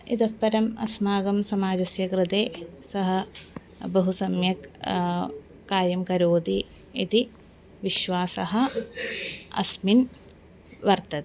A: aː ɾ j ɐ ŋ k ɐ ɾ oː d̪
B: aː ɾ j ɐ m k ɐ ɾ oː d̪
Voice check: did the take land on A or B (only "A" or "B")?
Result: B